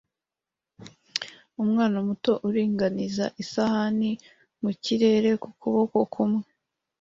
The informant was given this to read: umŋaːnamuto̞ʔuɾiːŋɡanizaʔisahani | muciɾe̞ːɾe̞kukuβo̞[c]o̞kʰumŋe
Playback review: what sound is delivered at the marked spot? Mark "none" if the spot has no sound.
k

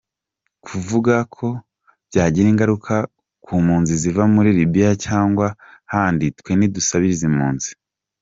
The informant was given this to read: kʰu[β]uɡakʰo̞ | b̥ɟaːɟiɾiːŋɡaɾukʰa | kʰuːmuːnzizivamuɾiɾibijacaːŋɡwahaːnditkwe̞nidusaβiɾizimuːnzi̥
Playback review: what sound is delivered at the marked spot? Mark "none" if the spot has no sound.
v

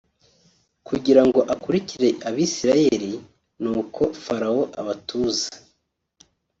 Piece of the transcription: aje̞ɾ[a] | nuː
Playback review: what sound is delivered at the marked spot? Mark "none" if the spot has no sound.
i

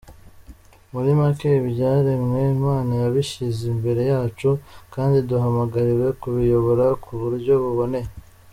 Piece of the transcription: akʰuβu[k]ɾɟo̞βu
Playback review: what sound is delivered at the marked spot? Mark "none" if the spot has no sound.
none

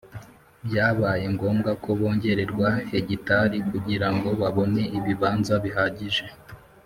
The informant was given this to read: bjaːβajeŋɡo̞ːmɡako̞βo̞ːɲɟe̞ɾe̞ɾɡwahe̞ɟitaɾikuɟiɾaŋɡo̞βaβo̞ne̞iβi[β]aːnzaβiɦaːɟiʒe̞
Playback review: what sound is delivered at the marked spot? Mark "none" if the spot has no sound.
β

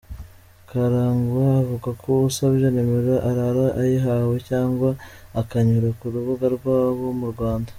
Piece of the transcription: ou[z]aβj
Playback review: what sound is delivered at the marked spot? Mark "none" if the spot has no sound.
s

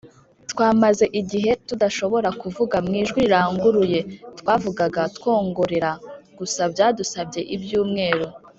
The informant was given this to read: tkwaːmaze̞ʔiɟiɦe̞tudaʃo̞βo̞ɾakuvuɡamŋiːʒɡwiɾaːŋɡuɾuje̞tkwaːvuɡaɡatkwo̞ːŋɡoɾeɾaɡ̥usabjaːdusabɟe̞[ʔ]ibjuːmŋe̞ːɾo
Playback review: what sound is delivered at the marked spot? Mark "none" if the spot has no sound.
ʔ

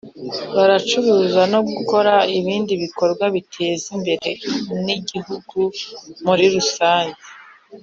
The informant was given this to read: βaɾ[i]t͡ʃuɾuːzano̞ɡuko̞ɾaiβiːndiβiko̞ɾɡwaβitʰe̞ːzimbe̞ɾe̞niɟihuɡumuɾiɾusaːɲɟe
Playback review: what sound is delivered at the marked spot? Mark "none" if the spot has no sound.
a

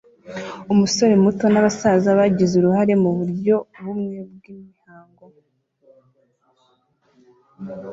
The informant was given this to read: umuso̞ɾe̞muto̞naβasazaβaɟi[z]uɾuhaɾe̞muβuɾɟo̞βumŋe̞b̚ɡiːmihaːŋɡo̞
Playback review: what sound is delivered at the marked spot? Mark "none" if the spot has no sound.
z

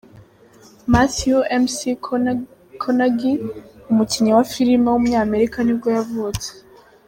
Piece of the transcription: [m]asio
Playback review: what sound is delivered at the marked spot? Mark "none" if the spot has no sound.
m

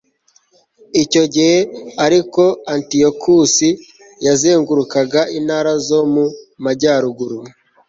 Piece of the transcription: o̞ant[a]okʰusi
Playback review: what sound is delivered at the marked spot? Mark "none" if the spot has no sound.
i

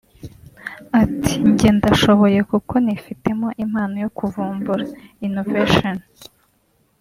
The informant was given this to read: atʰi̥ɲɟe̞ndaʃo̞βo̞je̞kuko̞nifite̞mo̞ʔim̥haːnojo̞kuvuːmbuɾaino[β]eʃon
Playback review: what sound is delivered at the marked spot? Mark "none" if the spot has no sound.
v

